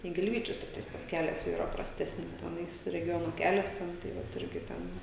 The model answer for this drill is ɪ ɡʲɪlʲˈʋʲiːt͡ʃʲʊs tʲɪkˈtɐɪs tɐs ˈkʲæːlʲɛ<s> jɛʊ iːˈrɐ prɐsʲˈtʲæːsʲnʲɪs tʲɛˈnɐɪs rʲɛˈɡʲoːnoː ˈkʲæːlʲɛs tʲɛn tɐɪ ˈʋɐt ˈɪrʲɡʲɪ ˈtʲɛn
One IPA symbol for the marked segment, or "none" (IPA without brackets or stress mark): s